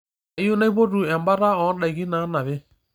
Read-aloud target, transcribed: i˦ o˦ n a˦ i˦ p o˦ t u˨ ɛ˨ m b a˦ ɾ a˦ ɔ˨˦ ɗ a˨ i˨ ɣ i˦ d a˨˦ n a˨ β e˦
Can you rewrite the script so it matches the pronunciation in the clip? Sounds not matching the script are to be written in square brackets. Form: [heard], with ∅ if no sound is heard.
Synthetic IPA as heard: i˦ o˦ n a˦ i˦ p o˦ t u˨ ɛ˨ m b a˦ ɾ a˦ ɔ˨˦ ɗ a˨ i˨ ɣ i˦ [n] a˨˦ n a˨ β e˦